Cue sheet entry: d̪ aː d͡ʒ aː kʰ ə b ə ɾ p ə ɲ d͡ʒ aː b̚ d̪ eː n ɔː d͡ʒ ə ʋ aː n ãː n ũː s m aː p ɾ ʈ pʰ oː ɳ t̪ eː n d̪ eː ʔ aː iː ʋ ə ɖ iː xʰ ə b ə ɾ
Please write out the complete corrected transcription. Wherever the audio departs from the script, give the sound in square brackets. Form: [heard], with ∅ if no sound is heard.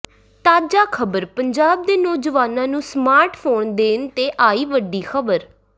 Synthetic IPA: [t̪] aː d͡ʒ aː kʰ ə b ə ɾ p ə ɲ d͡ʒ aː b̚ d̪ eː n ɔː d͡ʒ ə ʋ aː n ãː n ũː s m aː [∅] ɾ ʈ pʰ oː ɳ [d̪] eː n [t̪] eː ʔ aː iː ʋ ə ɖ iː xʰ ə b ə ɾ

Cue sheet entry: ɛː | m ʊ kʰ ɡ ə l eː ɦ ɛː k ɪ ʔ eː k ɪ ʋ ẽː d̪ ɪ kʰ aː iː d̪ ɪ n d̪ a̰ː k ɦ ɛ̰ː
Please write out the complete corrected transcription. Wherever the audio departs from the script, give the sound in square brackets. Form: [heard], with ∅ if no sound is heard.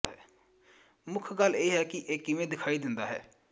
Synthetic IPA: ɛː | m ʊ kʰ ɡ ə l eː ɦ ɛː k ɪ ʔ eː k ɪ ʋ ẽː d̪ ɪ kʰ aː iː d̪ ɪ n d̪ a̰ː [∅] ɦ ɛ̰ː

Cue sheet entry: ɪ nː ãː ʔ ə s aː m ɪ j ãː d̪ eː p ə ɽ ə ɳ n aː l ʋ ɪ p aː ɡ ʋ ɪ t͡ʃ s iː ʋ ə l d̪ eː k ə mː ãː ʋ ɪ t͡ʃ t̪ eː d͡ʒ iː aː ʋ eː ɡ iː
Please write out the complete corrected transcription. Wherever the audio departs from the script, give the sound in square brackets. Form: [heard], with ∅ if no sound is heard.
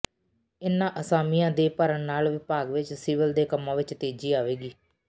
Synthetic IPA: ɪ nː ãː ʔ ə s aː m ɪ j ãː d̪ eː p ə [ɾ] ə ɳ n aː l ʋ ɪ p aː ɡ ʋ ɪ t͡ʃ s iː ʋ ə l d̪ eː k ə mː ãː ʋ ɪ t͡ʃ t̪ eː d͡ʒ iː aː ʋ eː ɡ iː

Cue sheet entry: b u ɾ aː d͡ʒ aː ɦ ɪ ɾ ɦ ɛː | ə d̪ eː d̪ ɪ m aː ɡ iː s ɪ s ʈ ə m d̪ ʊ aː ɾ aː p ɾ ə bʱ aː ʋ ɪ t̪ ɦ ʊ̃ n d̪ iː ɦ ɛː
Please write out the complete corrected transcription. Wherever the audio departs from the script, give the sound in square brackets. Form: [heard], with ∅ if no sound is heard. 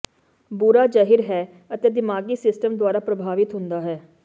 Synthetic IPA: b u ɾ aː d͡ʒ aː ɦ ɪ ɾ ɦ ɛː | ə [t̪] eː d̪ ɪ m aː ɡ iː s ɪ s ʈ ə m d̪ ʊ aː ɾ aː p ɾ ə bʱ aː ʋ ɪ t̪ ɦ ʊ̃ n d̪ [aː] ɦ ɛː

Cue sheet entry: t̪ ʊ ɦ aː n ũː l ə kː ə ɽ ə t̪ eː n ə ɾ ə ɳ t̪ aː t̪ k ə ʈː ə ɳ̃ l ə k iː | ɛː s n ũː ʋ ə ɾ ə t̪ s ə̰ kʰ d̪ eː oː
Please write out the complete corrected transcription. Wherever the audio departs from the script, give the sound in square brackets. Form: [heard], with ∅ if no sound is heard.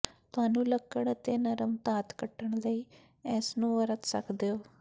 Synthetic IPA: t̪ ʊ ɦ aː n ũː l ə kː ə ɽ ə t̪ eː n ə ɾ ə [m] t̪ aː t̪ k ə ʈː ə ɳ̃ l ə [∅] iː | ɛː s n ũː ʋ ə ɾ ə t̪ s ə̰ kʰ d̪ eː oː

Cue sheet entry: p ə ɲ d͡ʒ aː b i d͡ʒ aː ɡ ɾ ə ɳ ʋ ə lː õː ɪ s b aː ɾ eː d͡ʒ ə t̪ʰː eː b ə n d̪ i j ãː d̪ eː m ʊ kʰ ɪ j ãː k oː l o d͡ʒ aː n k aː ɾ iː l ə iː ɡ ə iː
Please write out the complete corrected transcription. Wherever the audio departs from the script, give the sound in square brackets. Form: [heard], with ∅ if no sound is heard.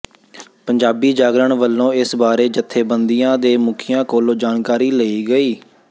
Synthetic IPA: p ə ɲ d͡ʒ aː b [iː] d͡ʒ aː ɡ ɾ ə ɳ ʋ ə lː õː ɪ s b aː ɾ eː d͡ʒ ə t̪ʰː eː b ə n d̪ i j ãː d̪ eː m ʊ kʰ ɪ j ãː k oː l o d͡ʒ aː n k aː ɾ iː l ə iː ɡ ə iː

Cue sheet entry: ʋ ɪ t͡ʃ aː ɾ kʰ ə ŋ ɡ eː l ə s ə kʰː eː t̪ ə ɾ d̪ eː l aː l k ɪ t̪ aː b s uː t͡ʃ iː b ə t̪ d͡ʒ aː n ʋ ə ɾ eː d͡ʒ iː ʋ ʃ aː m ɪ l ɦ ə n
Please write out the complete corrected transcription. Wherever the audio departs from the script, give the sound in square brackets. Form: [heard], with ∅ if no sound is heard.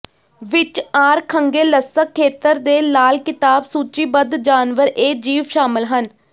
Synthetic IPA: ʋ ɪ t͡ʃ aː ɾ kʰ ə ŋ ɡ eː l ə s ə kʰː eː t̪ ə ɾ d̪ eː l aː l k ɪ t̪ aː b s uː t͡ʃ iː b ə [d̪] d͡ʒ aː n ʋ ə ɾ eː d͡ʒ iː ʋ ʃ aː m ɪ l ɦ ə n

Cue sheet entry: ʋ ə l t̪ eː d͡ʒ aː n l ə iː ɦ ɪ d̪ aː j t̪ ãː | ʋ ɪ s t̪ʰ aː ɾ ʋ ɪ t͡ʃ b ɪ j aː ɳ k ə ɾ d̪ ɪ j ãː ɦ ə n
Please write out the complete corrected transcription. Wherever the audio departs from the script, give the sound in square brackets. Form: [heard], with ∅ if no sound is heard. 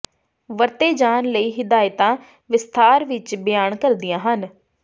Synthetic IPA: ʋ ə [ɾ] t̪ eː d͡ʒ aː n l ə iː ɦ ɪ d̪ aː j t̪ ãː | ʋ ɪ s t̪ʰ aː ɾ ʋ ɪ t͡ʃ b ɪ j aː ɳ k ə ɾ d̪ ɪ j ãː ɦ ə n

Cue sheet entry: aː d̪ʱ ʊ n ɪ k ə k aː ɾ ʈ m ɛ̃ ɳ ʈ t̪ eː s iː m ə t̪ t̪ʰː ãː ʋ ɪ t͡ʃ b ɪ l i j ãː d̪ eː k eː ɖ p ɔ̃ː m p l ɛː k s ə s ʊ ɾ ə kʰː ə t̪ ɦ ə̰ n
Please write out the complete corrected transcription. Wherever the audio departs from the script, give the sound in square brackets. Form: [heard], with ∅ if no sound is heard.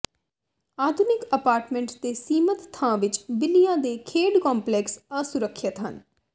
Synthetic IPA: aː d̪ʱ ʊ n ɪ k ə [p] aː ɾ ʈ m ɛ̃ ɳ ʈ t̪ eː s iː m ə t̪ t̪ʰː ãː ʋ ɪ t͡ʃ b ɪ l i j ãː d̪ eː [kʰ] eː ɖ [k] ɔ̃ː m p l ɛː k s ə s ʊ ɾ ə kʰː ə t̪ ɦ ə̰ n

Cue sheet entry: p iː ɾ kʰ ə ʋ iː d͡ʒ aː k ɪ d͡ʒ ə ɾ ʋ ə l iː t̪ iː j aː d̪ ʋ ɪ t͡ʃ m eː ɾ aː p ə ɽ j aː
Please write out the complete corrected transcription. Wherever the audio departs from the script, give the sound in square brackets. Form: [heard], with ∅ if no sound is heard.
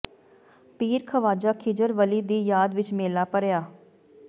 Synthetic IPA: p iː ɾ kʰ ə ʋ [aː] d͡ʒ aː [kʰ] ɪ d͡ʒ ə ɾ ʋ ə l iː [d̪] iː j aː d̪ ʋ ɪ t͡ʃ m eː [l] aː p ə [ɾ] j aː

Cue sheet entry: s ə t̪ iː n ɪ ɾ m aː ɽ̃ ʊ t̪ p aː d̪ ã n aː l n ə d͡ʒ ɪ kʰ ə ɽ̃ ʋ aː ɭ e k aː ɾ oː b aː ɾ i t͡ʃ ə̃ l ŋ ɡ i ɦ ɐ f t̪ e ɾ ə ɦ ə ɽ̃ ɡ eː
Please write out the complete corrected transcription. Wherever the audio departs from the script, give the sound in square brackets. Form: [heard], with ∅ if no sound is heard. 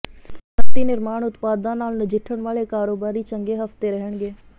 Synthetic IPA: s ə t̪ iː n ɪ ɾ m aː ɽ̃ ʊ t̪ p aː d̪ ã n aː l n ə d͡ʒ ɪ [ʈʰ] ə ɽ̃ ʋ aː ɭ e k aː ɾ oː b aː ɾ i t͡ʃ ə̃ [∅] ŋ ɡ [e] ɦ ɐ f t̪ e ɾ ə ɦ ə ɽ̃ ɡ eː

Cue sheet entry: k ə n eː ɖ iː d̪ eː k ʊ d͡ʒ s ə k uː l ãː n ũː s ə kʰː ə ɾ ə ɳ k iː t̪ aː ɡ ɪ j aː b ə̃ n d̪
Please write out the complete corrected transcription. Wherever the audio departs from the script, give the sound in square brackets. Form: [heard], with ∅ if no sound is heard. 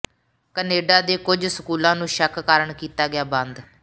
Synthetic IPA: k ə n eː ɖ [aː] d̪ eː k ʊ d͡ʒ s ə k uː l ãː n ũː [ʃ] ə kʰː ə ɾ ə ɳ k iː t̪ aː ɡ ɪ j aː b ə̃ n d̪

